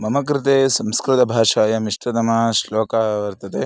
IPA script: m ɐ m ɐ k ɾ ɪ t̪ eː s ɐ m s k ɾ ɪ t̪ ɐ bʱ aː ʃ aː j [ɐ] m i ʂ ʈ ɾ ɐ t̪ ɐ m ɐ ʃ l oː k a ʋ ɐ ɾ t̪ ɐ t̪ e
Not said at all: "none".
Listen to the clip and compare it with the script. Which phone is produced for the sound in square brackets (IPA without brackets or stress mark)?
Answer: ɐ